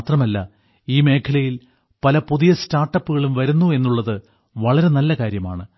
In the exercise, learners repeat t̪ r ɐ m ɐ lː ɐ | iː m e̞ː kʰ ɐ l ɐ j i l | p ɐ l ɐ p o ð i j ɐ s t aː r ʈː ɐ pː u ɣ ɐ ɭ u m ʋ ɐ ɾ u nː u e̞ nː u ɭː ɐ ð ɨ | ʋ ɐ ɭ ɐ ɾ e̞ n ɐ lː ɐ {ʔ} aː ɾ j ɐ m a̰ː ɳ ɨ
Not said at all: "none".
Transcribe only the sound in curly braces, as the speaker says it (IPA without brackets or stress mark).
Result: k